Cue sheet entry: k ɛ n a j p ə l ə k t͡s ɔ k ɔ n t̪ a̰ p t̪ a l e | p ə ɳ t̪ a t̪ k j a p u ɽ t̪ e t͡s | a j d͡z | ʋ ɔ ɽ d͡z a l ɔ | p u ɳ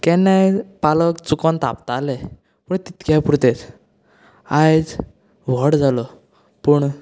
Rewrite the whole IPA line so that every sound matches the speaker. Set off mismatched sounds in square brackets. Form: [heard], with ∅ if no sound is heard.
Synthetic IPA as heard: k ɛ n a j p [a] l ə k t͡s [u] k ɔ n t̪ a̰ p t̪ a l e | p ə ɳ t̪ [i] t̪ k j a p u [ɾ] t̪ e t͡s | a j d͡z | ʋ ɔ ɽ d͡z a l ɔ | p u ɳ

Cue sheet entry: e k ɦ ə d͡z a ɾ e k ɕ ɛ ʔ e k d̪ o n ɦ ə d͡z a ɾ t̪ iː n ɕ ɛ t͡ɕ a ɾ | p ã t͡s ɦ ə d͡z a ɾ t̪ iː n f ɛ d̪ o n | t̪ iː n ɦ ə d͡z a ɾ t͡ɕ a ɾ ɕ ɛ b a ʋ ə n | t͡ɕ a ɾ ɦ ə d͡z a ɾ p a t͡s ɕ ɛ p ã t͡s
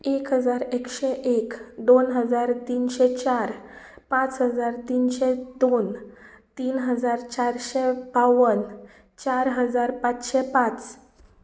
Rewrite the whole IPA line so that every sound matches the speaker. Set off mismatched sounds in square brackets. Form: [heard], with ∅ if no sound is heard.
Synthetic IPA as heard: e k ɦ ə d͡z a ɾ e k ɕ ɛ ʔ e k d̪ o n ɦ ə d͡z a ɾ t̪ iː n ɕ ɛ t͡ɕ a ɾ | p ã t͡s ɦ ə d͡z a ɾ t̪ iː n [ɕ] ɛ d̪ o n | t̪ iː n ɦ ə d͡z a ɾ t͡ɕ a ɾ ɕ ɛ b a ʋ ə n | t͡ɕ a ɾ ɦ ə d͡z a ɾ p a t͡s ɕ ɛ p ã t͡s

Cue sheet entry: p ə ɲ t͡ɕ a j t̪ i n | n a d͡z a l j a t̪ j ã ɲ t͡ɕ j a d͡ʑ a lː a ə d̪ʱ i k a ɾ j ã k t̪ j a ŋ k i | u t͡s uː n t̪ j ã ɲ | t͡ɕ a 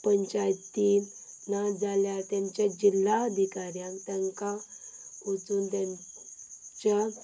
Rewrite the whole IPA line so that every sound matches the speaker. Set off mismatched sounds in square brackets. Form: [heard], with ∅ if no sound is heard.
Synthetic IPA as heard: p ə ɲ t͡ɕ a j t̪ i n | n a d͡z a l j a t̪ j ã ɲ t͡ɕ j a d͡ʑ [i] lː a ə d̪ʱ i k a ɾ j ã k t̪ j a ŋ k [a] | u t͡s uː n t̪ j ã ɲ | t͡ɕ a

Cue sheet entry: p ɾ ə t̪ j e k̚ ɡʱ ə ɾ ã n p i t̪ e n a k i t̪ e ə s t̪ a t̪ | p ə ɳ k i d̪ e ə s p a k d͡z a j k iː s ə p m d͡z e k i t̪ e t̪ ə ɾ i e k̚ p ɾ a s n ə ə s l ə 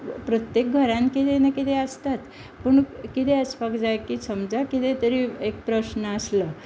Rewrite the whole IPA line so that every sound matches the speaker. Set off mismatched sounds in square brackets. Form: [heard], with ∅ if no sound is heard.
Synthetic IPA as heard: p ɾ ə t̪ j e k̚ ɡʱ ə ɾ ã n [k] i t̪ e n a k i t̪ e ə s t̪ a t̪ | p ə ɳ k i [t̪] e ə s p a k d͡z a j k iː s ə [∅] m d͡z [a] k i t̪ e t̪ ə ɾ i e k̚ p ɾ [ə] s n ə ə s l ə

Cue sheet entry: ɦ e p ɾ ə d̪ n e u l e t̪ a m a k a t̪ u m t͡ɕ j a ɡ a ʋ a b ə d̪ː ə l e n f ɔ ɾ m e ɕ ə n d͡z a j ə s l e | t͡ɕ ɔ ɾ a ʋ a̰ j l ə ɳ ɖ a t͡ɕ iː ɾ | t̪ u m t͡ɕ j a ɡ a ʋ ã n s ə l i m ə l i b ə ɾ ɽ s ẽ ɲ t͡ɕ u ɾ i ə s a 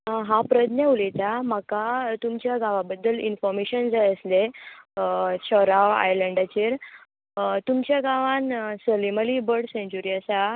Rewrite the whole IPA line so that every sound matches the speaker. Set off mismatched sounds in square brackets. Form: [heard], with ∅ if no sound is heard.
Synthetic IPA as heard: ɦ [a] p ɾ ə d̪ n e u l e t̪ a m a k a t̪ u m t͡ɕ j a ɡ a ʋ a b ə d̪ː ə l [i] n f ɔ ɾ m e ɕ ə n d͡z a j ə s l e | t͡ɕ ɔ ɾ a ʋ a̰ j l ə ɳ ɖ a t͡ɕ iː ɾ | t̪ u m t͡ɕ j a ɡ a ʋ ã n s ə l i m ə l i b ə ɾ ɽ s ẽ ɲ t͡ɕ u ɾ i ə s a

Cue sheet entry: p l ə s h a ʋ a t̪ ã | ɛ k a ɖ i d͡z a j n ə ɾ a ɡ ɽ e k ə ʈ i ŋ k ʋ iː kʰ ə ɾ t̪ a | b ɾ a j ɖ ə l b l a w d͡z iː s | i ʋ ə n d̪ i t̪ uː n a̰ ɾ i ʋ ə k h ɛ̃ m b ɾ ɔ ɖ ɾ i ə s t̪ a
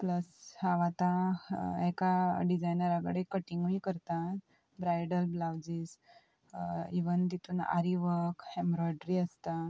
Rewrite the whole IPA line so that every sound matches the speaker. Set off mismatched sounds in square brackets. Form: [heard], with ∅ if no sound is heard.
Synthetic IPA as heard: p l ə s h a ʋ a t̪ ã | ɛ k a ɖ i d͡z a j n ə ɾ a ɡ ɽ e k ə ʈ i ŋ [ɡ] ʋ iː [k] ə ɾ t̪ a | b ɾ a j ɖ ə l b l a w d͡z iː s | i ʋ ə n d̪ i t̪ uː n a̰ ɾ i ʋ ə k h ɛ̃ m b ɾ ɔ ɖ ɾ i ə s t̪ a

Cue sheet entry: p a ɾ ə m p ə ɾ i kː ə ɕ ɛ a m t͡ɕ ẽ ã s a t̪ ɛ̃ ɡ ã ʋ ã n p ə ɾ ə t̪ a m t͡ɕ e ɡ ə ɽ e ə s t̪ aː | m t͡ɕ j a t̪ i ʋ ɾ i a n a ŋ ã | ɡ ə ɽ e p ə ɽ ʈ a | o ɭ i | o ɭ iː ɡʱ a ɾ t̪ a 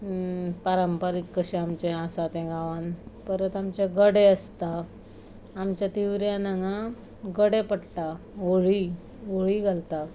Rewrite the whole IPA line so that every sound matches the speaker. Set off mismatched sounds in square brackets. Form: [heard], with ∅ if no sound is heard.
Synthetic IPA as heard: p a ɾ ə m p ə ɾ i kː ə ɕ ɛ a m t͡ɕ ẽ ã s a t̪ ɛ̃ ɡ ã ʋ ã n p ə ɾ ə t̪ a m t͡ɕ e ɡ ə ɽ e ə s t̪ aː | m t͡ɕ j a t̪ i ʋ ɾ [j] a n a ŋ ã | ɡ ə ɽ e p ə ɽ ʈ a | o ɭ i | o ɭ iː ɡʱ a [l] t̪ a

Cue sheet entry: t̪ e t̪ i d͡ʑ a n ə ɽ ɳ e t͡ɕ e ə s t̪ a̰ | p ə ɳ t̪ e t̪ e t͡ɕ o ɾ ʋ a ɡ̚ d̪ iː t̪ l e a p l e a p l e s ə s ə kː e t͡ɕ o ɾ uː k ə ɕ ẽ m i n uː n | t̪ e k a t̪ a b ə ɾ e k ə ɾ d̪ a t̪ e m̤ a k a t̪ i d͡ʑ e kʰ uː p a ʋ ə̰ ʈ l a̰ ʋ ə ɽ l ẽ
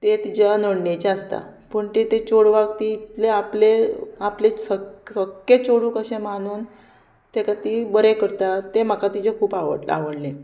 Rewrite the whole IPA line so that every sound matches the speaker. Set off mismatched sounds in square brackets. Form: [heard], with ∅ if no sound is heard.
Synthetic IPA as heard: t̪ e t̪ i d͡ʑ a n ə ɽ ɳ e t͡ɕ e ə s t̪ a̰ | p ə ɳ t̪ e t̪ e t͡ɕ o [ɽ] ʋ a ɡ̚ [t̪] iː t̪ l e a p l e a p l e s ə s ə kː e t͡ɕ o [ɽ] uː k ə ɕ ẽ m [a] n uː n | t̪ e k a t̪ [i] b ə ɾ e k ə ɾ [t̪] a t̪ e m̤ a k a t̪ i d͡ʑ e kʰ uː p a ʋ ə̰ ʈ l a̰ ʋ ə ɽ l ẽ

